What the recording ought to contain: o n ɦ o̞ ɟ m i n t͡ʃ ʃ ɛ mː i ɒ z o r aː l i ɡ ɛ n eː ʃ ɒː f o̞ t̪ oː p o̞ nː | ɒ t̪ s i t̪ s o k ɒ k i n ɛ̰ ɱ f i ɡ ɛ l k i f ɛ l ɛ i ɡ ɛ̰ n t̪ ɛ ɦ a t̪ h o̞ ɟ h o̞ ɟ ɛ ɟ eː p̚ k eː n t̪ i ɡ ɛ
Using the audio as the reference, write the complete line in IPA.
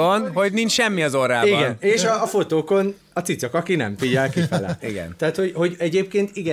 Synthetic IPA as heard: o n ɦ o̞ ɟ n i n t͡ʃ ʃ ɛ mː i ɒ z o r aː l i ɡ ɛ n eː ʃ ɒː f o̞ t̪ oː k o̞ n | ɒ t̪ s i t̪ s o k ɒ k i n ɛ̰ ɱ f i ɟ ɛ l k i f ɛ l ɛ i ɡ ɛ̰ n t̪ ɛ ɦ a t̪ h o̞ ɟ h o̞ ɟ ɛ ɟ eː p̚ k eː n t̪ i ɡ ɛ